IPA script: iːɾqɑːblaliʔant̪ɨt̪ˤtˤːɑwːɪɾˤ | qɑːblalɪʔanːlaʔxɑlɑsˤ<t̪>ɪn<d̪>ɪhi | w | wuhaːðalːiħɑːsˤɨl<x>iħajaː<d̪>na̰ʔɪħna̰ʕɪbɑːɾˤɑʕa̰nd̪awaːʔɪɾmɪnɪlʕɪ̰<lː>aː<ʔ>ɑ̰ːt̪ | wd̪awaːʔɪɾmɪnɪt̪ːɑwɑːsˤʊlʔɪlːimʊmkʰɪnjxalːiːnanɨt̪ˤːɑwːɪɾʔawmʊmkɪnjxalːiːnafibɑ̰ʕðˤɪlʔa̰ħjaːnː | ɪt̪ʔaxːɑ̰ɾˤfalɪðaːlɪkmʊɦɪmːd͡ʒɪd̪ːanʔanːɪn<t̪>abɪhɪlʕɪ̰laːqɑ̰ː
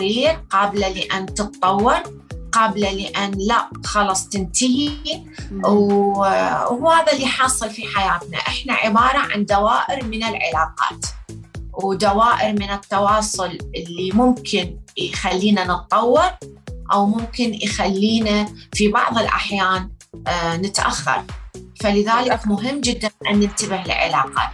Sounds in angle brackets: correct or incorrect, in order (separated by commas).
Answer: correct, incorrect, incorrect, incorrect, incorrect, incorrect, correct